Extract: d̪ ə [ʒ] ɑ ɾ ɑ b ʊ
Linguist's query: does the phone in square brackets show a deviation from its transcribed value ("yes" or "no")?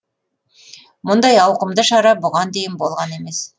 yes